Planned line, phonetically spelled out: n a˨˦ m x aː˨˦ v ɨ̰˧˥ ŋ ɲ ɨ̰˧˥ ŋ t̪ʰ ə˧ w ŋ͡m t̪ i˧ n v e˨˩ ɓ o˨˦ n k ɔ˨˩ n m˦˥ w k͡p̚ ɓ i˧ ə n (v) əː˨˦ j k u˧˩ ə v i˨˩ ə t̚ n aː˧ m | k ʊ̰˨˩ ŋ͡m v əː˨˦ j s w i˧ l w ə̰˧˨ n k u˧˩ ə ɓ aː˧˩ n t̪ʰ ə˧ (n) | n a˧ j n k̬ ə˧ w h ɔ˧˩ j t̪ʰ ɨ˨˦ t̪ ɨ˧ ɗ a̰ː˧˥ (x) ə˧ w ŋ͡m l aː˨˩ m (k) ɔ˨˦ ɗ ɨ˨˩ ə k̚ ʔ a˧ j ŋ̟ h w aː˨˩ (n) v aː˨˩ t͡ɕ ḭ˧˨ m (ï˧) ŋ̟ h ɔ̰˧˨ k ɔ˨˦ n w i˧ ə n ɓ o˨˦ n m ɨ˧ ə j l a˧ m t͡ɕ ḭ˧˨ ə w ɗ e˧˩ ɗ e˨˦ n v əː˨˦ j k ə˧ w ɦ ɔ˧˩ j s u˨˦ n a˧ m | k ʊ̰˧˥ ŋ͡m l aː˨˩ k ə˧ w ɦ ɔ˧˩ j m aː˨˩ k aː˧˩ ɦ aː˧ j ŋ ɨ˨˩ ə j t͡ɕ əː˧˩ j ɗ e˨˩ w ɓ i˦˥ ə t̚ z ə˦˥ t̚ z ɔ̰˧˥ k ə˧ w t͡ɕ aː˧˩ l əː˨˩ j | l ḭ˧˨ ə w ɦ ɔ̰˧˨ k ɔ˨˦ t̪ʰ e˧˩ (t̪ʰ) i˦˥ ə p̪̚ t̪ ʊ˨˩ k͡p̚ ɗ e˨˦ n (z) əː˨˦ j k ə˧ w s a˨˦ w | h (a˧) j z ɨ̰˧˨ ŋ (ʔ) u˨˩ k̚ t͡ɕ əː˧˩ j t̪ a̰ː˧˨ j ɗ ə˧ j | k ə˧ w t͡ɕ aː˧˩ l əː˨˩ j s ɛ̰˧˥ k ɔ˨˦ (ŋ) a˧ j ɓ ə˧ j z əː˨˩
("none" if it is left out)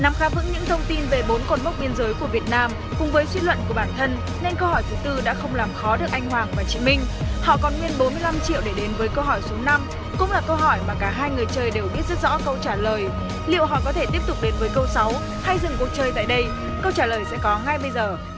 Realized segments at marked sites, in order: z, n, x, x, ŋ, ï˧, t̪, v, a˧, k, ŋ

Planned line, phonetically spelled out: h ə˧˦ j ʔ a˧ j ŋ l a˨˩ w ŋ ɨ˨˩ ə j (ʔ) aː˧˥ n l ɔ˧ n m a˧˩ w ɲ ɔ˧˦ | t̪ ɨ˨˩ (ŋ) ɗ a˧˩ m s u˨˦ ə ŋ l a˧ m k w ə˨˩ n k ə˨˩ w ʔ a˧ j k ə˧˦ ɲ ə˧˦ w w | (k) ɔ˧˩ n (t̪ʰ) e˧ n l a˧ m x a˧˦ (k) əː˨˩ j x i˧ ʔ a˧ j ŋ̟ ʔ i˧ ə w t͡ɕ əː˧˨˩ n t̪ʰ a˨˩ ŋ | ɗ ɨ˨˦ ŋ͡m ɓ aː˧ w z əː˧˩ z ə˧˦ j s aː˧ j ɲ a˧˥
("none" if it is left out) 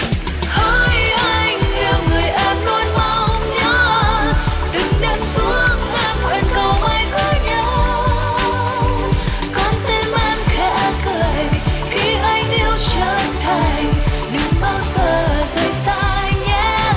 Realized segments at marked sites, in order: ʔ, ŋ, k, t̪, k

